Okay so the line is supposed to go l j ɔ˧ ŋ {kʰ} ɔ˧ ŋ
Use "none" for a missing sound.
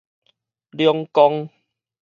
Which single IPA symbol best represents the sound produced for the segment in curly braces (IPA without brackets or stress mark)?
k